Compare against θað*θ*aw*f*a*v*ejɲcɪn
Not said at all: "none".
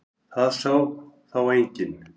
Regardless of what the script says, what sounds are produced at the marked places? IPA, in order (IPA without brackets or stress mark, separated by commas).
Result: s, θ, w